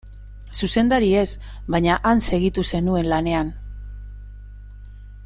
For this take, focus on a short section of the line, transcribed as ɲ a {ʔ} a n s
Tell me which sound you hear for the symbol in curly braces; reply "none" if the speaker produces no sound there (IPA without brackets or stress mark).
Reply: ʔ